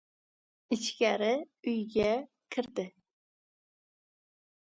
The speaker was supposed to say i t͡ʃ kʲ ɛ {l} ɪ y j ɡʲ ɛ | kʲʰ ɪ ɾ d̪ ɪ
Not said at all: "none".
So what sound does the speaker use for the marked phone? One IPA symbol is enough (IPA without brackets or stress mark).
ɾ